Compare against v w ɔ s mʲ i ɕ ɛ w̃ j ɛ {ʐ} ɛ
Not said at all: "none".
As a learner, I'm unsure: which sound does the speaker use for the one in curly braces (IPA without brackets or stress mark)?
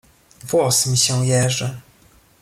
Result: ʐ